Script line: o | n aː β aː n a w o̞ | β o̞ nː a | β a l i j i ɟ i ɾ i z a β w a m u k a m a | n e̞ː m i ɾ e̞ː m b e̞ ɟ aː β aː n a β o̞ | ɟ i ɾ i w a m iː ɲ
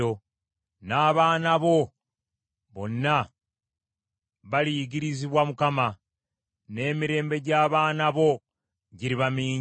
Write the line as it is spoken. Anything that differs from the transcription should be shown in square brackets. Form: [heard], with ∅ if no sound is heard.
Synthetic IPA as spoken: o | n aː β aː n a [β] o̞ | β o̞ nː a | β a l i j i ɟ i ɾ i z [i] β w a m u k a m a | n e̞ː m i ɾ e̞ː m b e̞ ɟ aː β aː n a β o̞ | ɟ i ɾ i [β] a m iː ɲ